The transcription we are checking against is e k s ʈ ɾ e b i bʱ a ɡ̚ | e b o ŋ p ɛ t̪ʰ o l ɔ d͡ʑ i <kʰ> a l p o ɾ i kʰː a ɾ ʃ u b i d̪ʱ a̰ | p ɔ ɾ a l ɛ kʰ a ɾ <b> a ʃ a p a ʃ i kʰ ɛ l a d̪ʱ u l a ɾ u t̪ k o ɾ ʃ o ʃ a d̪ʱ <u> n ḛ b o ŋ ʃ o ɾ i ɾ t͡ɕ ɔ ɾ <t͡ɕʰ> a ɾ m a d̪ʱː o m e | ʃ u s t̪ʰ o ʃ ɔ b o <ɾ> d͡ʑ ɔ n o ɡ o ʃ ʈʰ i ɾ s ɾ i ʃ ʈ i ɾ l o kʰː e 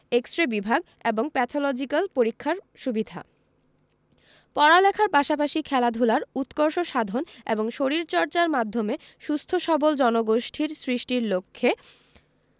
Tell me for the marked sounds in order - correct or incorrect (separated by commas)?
incorrect, incorrect, incorrect, incorrect, incorrect